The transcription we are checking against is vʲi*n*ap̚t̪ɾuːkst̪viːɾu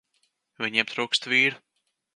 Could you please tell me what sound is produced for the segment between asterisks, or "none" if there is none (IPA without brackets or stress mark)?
ɲ